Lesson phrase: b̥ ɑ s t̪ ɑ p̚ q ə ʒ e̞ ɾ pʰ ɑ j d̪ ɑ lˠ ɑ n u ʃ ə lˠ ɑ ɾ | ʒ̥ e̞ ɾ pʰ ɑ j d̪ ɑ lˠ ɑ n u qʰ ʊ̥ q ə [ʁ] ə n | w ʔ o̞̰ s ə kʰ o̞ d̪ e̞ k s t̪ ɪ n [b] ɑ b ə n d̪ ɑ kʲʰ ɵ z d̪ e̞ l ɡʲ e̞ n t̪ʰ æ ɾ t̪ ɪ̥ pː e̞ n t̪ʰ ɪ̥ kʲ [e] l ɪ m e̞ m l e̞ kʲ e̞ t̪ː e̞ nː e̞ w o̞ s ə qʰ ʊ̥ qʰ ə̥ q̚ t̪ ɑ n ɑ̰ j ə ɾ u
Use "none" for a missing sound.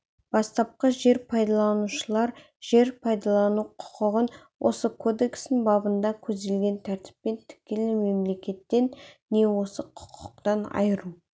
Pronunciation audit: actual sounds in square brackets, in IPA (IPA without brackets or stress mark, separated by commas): ʁ, b, e